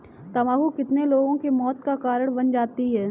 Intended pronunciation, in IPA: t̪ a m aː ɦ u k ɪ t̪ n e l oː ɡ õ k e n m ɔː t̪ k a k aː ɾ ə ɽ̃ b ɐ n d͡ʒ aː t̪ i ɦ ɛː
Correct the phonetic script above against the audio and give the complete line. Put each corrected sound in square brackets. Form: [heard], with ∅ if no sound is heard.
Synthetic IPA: t̪ [ɐ] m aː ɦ u k ɪ t̪ n e l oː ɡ õ k e [∅] m ɔː t̪ k a k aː ɾ ə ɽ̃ b ɐ n d͡ʒ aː t̪ i ɦ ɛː